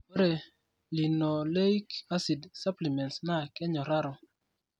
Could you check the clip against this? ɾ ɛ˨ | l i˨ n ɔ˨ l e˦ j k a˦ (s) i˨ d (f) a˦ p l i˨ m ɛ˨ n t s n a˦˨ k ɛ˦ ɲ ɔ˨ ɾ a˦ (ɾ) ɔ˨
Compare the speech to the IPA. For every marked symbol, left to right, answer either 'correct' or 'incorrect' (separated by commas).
correct, incorrect, correct